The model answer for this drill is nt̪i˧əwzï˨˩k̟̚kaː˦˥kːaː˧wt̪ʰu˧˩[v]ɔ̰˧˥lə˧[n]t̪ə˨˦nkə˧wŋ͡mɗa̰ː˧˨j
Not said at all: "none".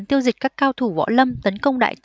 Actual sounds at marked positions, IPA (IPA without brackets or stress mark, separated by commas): v, m